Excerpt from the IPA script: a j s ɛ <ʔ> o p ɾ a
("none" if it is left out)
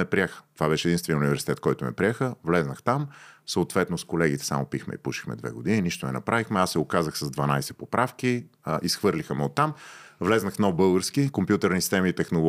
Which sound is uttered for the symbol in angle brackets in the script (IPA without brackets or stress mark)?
p